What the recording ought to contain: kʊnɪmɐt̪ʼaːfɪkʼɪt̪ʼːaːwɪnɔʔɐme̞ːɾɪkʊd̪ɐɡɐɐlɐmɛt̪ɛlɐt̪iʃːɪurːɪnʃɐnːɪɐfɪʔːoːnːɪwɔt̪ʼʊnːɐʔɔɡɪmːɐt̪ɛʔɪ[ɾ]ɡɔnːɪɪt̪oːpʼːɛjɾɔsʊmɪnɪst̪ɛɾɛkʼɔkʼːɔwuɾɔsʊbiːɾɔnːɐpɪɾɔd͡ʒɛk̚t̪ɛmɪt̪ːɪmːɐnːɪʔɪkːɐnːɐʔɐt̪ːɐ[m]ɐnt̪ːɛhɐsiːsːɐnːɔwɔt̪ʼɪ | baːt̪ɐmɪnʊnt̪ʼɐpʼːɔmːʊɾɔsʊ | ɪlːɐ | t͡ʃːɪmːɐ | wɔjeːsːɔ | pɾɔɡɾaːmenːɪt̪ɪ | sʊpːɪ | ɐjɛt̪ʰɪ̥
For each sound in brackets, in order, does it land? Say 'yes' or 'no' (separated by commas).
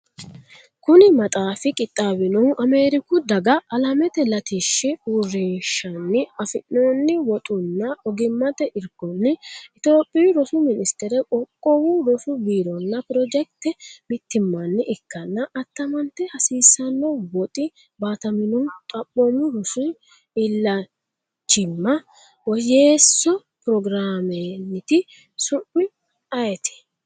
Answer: yes, yes